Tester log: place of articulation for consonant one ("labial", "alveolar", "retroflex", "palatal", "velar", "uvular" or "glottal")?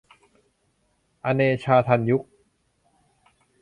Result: glottal